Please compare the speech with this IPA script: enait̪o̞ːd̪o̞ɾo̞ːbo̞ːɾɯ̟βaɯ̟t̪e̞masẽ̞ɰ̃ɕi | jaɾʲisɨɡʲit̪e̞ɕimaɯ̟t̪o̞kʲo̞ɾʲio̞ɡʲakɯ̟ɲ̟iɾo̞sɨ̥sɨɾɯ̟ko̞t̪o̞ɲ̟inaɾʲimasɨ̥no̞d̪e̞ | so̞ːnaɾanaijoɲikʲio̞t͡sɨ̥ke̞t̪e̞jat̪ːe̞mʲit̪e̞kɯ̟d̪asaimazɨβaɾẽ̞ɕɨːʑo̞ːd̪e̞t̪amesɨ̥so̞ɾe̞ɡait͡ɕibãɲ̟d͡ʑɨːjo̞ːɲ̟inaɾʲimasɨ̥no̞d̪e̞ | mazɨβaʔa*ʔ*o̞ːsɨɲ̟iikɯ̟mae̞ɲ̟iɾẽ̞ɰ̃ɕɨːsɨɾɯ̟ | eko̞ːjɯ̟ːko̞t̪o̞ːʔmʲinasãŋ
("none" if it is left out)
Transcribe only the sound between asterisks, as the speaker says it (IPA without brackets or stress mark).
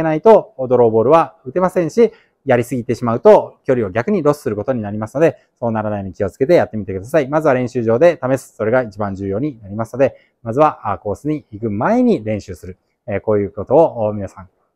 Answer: k